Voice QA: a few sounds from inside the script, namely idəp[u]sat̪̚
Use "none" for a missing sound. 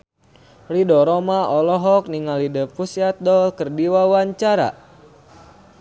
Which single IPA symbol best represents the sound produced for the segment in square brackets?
u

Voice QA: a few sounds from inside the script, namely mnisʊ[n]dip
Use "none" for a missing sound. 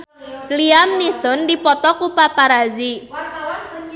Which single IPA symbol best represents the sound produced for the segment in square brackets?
n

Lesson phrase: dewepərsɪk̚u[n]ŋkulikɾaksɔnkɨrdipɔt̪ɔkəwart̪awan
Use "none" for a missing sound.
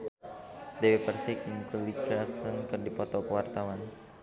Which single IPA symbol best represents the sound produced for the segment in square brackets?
none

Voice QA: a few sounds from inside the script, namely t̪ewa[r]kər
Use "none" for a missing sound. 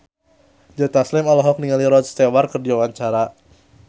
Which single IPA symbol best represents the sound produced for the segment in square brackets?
r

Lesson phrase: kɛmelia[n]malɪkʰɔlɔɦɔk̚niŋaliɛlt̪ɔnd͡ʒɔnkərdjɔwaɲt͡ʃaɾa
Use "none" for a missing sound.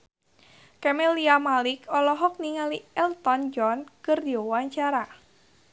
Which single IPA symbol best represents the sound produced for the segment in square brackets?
none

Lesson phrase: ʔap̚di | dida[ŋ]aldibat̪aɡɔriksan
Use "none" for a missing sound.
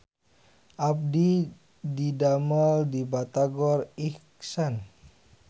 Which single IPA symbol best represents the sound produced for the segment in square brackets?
m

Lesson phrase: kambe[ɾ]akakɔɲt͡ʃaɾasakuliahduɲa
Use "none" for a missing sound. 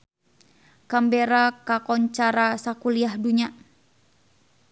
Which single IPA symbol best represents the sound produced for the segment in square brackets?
ɾ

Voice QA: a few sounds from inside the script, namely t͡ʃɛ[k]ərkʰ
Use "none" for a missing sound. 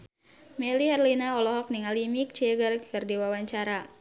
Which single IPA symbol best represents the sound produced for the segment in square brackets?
ɡ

